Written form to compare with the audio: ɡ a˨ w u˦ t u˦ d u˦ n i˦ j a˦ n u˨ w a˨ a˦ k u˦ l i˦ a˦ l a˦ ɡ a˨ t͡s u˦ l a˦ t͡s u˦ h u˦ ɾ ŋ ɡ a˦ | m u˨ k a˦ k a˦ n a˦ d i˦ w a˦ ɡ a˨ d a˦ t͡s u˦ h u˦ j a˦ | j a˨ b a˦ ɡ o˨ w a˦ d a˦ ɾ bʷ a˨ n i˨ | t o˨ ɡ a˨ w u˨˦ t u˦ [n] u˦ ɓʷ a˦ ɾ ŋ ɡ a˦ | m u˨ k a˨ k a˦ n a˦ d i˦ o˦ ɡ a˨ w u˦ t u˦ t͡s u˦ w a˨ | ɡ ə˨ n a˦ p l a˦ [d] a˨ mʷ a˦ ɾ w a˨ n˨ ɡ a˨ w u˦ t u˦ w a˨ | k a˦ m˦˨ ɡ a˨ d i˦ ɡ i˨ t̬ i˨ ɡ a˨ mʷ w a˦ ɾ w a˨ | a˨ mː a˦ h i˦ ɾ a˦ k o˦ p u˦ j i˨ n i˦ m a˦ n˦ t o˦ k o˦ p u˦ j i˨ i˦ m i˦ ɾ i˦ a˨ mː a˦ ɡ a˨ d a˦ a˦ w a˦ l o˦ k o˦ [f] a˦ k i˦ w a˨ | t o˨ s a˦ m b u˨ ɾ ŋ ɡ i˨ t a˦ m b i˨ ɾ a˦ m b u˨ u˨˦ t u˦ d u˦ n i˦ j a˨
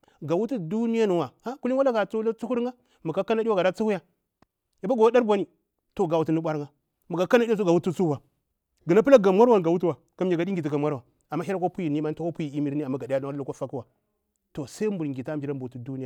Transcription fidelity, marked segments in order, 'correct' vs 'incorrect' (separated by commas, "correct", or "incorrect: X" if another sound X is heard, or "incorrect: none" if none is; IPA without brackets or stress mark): correct, incorrect: ɡ, correct